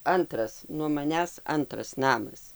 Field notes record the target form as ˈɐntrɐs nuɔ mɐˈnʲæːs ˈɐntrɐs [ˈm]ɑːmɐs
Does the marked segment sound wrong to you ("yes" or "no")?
yes